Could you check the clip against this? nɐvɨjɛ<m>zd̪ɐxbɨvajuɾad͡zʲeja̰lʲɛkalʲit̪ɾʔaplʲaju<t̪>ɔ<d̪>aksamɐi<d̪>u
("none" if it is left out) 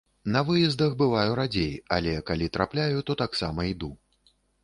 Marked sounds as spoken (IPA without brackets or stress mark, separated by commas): none, t̪, t̪, d̪